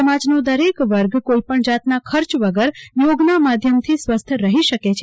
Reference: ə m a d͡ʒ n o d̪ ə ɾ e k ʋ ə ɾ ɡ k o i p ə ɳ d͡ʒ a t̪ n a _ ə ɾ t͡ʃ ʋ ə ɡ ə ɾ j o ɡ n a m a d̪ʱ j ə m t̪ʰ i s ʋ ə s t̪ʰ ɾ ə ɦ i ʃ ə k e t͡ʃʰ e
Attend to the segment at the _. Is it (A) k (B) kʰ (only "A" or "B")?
B